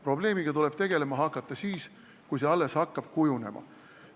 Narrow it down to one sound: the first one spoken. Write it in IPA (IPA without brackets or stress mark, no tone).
p